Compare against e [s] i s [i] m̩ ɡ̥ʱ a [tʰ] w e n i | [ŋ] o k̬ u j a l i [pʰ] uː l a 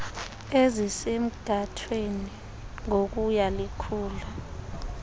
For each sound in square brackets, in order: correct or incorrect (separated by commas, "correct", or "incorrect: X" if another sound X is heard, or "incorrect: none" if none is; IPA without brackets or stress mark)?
incorrect: z, incorrect: e, correct, correct, incorrect: kʰ